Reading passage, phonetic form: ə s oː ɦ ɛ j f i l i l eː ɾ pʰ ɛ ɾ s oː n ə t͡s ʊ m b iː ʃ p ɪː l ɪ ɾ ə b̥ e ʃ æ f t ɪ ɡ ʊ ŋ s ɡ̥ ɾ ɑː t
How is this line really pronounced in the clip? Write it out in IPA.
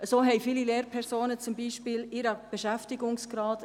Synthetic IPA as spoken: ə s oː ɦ ɛ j f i l i l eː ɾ pʰ ɛ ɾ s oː n ə t͡s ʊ m b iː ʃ p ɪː l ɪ ɾ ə b̥ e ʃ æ f t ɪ ɡ ʊ ŋ s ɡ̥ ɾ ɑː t